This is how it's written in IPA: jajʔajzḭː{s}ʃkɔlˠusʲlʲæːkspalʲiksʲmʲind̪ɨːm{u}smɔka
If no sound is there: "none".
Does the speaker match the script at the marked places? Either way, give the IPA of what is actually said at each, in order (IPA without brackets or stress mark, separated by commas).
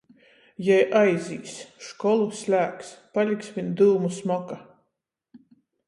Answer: s, u